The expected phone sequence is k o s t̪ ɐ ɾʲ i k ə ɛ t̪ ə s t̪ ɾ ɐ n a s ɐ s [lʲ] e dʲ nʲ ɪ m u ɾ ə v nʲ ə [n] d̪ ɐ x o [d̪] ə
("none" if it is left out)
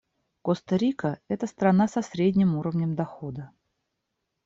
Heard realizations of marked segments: ɾʲ, m, d̪

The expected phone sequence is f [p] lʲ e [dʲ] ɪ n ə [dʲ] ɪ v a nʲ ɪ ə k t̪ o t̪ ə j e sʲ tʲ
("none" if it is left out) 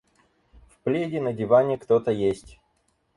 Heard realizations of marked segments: p, dʲ, dʲ

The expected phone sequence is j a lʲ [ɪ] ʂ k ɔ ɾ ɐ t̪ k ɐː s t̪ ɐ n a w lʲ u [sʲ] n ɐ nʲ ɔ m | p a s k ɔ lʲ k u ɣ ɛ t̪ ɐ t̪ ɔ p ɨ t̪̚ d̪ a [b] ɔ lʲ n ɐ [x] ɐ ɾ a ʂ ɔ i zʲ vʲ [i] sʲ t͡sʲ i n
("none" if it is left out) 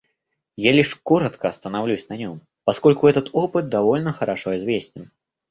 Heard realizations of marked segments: i, sʲ, v, x, e

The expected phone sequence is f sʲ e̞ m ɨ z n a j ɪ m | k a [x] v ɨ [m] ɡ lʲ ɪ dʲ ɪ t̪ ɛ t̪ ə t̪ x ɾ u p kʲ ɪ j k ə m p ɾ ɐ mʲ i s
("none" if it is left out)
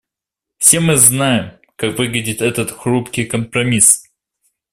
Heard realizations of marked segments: k, none

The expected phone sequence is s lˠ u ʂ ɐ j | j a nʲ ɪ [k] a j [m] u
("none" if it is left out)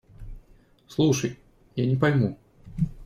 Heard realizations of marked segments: p, m

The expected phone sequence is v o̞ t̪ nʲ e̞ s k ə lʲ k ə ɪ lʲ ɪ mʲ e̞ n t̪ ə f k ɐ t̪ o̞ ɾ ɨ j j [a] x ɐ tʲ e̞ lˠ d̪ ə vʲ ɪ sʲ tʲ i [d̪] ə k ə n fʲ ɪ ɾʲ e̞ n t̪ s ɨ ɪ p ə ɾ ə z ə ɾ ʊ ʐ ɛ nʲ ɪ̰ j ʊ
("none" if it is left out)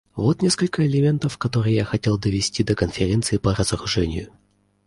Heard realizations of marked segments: a, d̪

